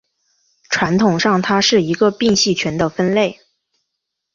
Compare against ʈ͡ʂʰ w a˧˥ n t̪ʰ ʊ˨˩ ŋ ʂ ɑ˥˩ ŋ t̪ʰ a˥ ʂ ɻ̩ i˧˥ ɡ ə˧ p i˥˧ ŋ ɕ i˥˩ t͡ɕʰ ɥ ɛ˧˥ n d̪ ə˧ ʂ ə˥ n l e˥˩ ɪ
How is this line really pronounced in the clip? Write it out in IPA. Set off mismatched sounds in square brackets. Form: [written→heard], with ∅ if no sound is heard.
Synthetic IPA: ʈ͡ʂʰ w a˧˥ n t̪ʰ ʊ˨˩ ŋ ʂ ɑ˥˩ ŋ t̪ʰ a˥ ʂ ɻ̩ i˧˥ ɡ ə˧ p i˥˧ ŋ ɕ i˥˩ t͡ɕʰ ɥ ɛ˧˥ n d̪ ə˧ [ʂ→f] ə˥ n l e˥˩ ɪ